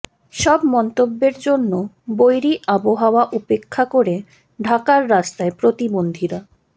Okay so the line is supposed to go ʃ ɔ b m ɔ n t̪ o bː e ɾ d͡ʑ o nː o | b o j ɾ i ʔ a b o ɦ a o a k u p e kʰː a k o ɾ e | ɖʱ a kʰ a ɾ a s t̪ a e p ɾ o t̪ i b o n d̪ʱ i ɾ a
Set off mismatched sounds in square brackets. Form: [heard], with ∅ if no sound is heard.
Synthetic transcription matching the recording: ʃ ɔ b m ɔ n t̪ o bː e ɾ d͡ʑ o nː o | b o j ɾ i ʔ a b o ɦ a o a [ʔ] u p e kʰː a k o ɾ e | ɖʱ a [k] a [ɾː] a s t̪ a e p ɾ o t̪ i b o n d̪ʱ i ɾ a

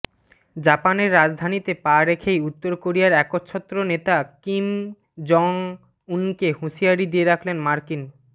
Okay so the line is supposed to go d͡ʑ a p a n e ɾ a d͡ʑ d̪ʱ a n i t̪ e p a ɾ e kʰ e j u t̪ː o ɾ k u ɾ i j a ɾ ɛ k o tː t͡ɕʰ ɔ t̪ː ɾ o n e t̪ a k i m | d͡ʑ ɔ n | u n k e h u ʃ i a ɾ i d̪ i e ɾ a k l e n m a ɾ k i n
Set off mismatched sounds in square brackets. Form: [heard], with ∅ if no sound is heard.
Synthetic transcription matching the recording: d͡ʑ a p a n e [ɾː] a d͡ʑ d̪ʱ a n i t̪ e p a ɾ e kʰ e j u t̪ː o ɾ k [o] ɾ i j a ɾ ɛ k o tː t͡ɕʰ ɔ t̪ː ɾ o n e t̪ a k i m | d͡ʑ ɔ [ŋ] | u n k e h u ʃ i a ɾ i d̪ i e ɾ a [kʰ] l e n m a ɾ k i n

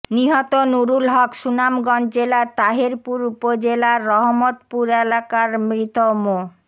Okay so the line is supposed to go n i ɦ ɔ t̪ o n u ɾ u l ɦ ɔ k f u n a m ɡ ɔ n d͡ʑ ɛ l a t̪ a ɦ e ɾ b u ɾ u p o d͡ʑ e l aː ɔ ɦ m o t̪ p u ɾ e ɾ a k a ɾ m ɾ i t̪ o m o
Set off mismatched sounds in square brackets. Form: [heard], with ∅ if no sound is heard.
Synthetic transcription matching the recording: n i ɦ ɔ t̪ o n u ɾ u l ɦ ɔ k [ʃ] u n a m ɡ ɔ n d͡ʑ [e] l a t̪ a ɦ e ɾ [p] u ɾ u p o d͡ʑ e l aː ɔ ɦ m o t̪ p u ɾ e [l] a k a ɾ m ɾ i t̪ o m o

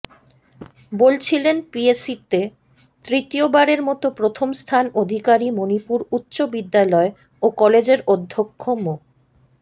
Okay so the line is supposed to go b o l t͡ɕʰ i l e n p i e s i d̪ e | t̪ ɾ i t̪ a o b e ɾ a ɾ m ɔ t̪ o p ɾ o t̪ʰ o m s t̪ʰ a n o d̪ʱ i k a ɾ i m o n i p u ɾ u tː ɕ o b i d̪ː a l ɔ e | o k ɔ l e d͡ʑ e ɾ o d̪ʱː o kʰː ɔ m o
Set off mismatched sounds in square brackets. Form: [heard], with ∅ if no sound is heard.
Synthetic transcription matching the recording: b o l t͡ɕʰ i l e n p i e s i [t̪] e | t̪ ɾ i t̪ [i] o b [a] ɾ [e] ɾ m ɔ t̪ o p ɾ o t̪ʰ o m s t̪ʰ a n o d̪ʱ i k a ɾ i m o n i p u ɾ u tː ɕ o b i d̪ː a l ɔ e | o k ɔ l e d͡ʑ e ɾ o d̪ʱː o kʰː [o] m o

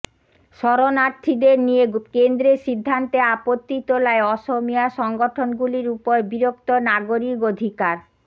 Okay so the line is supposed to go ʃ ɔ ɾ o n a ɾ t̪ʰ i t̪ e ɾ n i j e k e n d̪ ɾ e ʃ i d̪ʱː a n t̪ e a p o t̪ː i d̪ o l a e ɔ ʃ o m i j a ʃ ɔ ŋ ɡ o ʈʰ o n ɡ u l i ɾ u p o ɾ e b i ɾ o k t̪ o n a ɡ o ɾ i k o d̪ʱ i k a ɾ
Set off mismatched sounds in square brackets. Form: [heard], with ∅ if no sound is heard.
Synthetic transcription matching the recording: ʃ ɔ ɾ o n a ɾ t̪ʰ i [d̪] e ɾ n i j e k e n d̪ ɾ e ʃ i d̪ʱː a n t̪ e a p o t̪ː i [t̪] o l a e ɔ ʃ o m i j a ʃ ɔ ŋ ɡ o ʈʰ o n ɡ u l i ɾ u p o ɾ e b i ɾ o k t̪ o n a ɡ o ɾ i k o d̪ʱ i k a ɾ

